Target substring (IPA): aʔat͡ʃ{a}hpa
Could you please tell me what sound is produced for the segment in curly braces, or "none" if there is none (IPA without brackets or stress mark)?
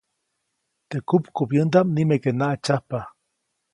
a